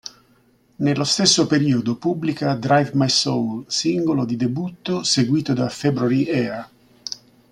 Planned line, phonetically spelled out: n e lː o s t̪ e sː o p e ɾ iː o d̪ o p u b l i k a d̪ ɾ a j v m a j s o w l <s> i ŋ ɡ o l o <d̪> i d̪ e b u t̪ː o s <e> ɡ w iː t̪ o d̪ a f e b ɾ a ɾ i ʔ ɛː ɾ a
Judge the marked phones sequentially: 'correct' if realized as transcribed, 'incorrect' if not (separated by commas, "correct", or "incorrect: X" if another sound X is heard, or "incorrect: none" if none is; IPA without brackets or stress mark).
correct, correct, correct